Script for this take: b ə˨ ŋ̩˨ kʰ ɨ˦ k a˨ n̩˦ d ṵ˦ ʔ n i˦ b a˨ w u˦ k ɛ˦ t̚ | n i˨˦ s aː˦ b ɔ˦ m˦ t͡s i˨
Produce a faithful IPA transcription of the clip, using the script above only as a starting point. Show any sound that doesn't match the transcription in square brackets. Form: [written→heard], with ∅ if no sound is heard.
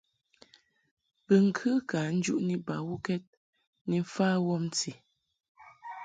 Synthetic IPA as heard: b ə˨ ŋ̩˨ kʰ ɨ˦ k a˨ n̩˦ [d→d͡ʒ] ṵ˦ ʔ n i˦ b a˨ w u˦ k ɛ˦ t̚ | n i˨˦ [s→f] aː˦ [b→w] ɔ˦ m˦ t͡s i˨